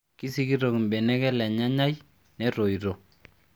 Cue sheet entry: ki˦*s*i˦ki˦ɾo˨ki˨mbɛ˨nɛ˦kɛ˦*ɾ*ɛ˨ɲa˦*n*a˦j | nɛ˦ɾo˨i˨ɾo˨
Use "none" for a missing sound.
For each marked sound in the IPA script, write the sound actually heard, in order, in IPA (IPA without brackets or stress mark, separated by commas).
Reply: s, l, ɲ